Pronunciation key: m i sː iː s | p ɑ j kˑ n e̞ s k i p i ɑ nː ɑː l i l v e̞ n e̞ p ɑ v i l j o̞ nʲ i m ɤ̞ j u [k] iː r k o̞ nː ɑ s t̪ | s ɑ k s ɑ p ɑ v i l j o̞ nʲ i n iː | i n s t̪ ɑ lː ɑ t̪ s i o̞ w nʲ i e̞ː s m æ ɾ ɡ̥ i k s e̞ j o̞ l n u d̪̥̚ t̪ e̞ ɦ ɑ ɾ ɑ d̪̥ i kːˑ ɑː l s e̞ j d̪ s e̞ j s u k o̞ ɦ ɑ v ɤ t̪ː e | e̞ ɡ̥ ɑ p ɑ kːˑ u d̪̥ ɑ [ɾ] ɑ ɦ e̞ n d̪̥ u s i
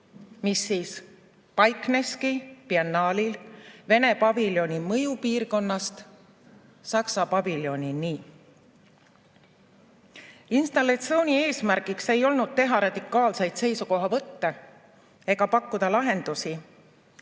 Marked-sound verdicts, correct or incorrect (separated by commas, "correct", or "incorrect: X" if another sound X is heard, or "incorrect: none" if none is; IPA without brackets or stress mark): incorrect: p, incorrect: l